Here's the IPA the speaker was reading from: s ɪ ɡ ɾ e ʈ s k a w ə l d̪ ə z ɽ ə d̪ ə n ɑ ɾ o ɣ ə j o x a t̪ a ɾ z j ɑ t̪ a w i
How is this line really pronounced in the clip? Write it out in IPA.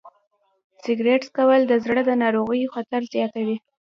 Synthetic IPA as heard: s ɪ ɡ ɾ e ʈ s k a w ə l d̪ ə z ɽ ə d̪ ə n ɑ ɾ o ɣ ə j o x a t̪ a ɾ z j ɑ t̪ a w i